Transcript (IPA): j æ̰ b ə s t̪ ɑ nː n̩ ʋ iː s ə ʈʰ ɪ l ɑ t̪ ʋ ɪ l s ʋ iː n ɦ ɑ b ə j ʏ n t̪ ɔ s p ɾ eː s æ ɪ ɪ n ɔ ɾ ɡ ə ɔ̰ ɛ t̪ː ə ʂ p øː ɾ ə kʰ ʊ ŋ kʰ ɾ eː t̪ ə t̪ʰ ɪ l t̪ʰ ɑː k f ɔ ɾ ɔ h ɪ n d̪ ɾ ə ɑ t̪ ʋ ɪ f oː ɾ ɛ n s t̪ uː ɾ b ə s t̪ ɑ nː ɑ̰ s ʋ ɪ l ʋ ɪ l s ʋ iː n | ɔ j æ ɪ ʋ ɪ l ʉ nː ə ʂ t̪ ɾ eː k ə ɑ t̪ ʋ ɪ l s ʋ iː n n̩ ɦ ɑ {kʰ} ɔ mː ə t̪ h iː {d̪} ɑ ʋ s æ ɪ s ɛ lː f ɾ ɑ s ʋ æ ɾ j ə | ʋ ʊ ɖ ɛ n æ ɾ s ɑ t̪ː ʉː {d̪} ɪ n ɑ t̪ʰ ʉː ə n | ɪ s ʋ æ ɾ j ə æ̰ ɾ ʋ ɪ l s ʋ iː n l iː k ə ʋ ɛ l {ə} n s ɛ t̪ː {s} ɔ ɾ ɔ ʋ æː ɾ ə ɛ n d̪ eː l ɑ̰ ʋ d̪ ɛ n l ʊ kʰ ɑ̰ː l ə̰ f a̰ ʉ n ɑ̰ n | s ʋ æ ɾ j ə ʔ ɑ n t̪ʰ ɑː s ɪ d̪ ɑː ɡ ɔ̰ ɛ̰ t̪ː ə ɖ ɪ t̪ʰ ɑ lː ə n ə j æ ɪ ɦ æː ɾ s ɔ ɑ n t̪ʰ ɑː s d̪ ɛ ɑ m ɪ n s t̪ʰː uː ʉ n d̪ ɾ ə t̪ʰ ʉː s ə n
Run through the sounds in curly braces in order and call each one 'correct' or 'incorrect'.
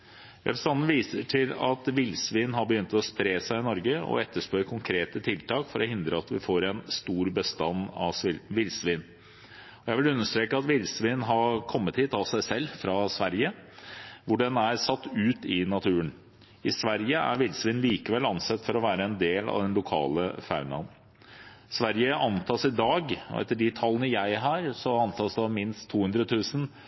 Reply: correct, incorrect: t̪, incorrect: t̪, incorrect: ɑ, incorrect: f

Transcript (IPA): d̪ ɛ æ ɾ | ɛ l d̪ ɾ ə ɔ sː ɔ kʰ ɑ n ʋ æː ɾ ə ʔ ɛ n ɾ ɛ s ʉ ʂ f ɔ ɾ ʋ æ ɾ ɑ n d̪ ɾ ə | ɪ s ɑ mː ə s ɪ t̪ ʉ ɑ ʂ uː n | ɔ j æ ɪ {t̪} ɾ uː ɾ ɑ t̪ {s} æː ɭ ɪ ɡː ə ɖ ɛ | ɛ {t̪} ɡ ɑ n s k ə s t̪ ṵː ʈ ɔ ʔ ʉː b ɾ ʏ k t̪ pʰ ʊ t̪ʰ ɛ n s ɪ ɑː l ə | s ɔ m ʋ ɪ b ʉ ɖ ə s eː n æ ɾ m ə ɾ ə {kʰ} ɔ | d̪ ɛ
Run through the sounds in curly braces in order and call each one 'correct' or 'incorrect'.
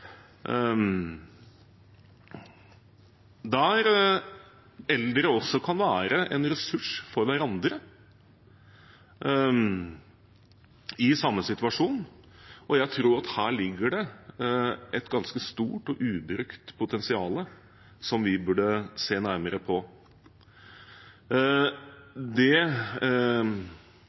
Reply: incorrect: t̪ʰ, incorrect: h, correct, incorrect: pʰ

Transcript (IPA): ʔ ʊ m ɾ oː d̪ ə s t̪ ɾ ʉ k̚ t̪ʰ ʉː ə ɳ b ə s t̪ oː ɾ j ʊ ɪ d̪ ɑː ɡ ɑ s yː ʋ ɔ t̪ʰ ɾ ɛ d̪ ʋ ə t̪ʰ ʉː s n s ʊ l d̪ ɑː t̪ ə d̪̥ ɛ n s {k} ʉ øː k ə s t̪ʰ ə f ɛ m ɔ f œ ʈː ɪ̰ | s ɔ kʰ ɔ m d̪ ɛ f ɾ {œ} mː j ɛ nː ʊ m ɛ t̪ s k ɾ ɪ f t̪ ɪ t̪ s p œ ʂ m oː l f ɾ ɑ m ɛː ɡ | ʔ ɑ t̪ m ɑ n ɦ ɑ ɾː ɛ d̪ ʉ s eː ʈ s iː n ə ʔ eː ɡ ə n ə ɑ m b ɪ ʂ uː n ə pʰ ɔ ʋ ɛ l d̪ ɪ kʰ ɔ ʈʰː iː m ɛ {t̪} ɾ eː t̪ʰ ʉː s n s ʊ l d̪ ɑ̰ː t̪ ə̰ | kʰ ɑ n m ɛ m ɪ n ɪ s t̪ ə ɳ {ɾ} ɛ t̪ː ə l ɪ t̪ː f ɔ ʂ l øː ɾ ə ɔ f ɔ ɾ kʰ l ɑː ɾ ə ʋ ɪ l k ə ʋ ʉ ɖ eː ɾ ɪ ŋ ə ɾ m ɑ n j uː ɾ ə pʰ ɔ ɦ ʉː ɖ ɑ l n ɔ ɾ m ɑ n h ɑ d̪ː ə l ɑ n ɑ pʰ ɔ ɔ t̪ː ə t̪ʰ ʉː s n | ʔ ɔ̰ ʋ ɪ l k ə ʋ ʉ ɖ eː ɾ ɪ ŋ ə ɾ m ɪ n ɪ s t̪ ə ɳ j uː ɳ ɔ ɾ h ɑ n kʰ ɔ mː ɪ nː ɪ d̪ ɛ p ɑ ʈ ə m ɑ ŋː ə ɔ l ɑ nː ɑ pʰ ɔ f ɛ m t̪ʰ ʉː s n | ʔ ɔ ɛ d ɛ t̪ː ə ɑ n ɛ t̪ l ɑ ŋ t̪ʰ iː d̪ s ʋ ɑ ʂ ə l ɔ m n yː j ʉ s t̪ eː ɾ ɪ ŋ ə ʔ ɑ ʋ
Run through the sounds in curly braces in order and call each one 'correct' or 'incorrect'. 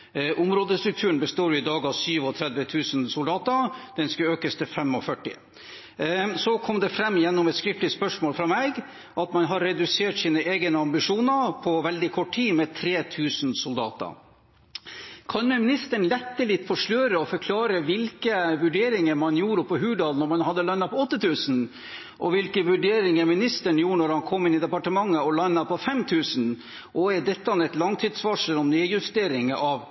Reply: correct, incorrect: ɛ, incorrect: t̪ʰ, incorrect: l

